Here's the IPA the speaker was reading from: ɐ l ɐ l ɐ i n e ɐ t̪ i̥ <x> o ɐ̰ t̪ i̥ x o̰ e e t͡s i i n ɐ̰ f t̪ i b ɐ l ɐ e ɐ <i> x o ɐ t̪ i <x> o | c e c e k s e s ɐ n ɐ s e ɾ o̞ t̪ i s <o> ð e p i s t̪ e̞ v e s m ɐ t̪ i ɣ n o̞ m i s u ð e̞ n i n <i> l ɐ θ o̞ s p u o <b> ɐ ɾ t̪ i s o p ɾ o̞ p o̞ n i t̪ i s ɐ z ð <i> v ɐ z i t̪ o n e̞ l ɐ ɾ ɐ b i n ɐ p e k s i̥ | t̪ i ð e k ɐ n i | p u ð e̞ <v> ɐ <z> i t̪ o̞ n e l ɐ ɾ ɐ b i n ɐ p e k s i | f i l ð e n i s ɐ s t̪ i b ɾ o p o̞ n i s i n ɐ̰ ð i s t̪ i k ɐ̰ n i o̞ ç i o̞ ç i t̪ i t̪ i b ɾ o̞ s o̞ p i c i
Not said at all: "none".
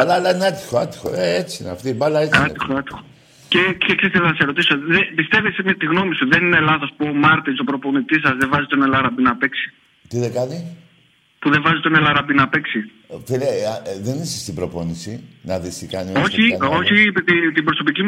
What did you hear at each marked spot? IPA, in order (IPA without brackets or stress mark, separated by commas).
x, i, x, o, e, m, e, v, z